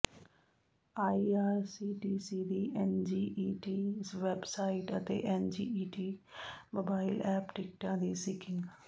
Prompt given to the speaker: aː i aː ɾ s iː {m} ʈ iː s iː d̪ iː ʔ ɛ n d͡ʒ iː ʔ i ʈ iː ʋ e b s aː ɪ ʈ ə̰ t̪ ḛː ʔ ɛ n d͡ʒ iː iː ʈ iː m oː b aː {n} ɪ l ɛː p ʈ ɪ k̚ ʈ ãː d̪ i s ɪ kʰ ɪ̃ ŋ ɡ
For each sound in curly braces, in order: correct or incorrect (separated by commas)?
incorrect, incorrect